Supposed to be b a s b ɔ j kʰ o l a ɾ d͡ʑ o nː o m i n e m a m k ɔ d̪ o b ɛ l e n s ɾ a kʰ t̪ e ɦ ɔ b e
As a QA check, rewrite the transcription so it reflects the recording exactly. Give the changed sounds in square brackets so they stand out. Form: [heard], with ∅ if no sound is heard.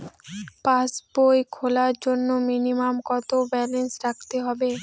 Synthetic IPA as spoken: [p] a s b [o] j kʰ o l a ɾ d͡ʑ o nː o m i n [i] m a m k ɔ [t̪] o b ɛ l e n s ɾ a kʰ t̪ e ɦ ɔ b e